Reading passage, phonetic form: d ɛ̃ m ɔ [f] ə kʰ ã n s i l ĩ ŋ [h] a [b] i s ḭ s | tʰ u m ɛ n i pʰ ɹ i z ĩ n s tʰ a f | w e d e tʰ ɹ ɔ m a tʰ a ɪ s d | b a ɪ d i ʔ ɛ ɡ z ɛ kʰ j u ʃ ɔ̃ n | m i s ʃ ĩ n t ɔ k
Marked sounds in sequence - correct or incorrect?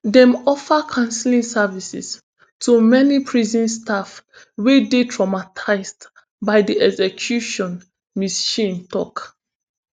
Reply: correct, incorrect: s, incorrect: v

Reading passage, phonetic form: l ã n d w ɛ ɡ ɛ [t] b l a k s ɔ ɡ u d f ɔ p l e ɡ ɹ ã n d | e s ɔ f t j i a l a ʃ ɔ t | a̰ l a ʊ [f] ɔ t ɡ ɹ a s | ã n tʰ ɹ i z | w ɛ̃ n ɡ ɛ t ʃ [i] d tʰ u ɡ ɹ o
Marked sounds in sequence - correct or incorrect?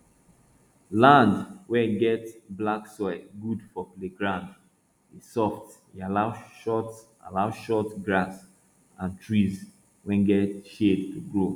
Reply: correct, incorrect: ʃ, incorrect: e

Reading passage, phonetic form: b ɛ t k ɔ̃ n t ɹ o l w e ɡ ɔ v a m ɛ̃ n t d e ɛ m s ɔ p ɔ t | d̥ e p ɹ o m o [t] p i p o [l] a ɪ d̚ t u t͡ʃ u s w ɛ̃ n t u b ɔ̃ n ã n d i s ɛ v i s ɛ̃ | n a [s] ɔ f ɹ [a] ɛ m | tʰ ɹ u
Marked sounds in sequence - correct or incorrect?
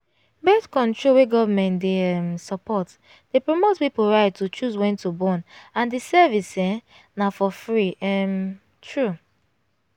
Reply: correct, incorrect: ɹ, incorrect: f, incorrect: i

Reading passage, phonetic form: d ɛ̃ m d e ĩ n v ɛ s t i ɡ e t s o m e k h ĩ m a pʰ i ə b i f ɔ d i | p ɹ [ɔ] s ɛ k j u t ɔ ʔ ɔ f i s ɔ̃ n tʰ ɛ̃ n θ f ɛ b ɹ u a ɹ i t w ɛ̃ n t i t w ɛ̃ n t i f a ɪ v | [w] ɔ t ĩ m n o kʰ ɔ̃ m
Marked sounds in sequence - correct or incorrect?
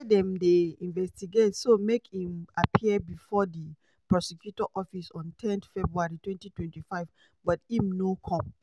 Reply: correct, incorrect: b

